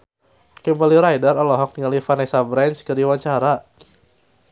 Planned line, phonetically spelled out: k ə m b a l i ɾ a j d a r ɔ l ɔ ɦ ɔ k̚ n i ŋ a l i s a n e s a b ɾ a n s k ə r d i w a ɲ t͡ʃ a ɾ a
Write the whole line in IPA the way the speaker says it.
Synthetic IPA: k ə m b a l i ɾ a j d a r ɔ l ɔ ɦ ɔ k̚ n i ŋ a l i f a n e s a b ɾ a n s k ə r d i w a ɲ t͡ʃ a ɾ a